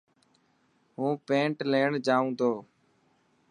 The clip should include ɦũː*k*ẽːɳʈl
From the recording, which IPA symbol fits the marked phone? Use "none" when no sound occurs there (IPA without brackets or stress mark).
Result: p